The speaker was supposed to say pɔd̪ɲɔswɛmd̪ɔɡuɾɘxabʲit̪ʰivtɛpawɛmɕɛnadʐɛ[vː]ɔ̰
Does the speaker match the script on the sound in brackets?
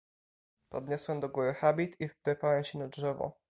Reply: no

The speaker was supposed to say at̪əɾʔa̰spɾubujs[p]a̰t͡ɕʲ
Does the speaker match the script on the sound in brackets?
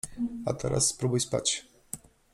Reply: yes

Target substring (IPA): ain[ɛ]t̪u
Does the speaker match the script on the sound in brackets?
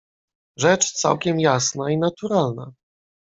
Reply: no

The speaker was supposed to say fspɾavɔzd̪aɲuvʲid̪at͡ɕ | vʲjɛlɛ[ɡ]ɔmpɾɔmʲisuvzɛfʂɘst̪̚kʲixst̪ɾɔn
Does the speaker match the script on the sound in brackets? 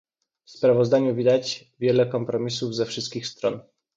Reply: no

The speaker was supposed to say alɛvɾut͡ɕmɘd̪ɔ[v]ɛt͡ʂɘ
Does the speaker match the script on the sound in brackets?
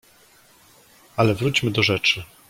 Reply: no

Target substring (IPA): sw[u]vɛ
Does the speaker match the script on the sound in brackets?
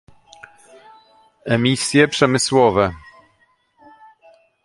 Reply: no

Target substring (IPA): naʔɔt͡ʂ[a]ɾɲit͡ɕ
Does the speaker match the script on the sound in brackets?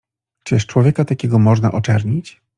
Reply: no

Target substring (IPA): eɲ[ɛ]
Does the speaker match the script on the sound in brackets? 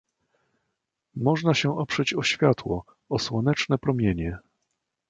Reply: yes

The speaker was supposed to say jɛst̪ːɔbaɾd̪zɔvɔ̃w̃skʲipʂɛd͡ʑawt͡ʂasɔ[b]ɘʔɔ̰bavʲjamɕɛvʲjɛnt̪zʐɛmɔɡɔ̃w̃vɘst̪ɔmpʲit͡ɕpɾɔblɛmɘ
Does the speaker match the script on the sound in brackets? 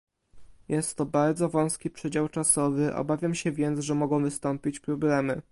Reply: no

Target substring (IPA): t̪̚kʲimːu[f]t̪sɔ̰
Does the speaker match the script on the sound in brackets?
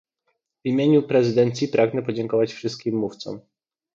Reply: yes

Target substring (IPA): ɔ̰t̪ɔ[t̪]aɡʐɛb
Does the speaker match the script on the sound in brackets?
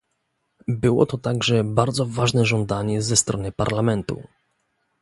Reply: yes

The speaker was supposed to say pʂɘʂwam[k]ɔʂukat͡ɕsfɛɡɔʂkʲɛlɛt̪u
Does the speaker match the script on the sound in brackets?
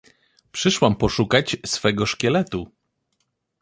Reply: no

